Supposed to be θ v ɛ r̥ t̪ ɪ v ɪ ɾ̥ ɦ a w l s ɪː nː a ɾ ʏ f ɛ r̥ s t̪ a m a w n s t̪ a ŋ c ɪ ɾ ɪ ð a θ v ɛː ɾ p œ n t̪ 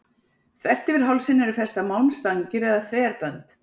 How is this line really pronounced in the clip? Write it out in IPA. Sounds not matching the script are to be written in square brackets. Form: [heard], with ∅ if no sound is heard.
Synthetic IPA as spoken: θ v ɛ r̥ t̪ ɪ v ɪ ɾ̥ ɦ a w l s [ɪ] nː [ɛ] ɾ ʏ f ɛ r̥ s t̪ a m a w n s t̪ a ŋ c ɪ ɾ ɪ ð a θ v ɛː ɾ p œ n t̪